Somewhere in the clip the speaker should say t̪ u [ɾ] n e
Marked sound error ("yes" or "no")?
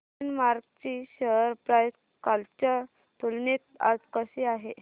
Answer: yes